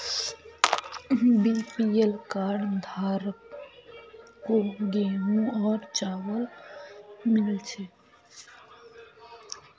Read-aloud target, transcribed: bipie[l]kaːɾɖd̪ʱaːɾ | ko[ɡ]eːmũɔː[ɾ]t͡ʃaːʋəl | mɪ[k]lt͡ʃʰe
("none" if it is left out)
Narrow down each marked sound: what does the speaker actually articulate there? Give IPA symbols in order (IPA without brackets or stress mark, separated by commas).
l, ɡ, ɾ, none